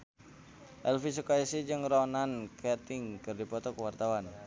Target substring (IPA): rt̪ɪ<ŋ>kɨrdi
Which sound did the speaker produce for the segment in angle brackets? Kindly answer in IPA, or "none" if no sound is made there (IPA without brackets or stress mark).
ŋ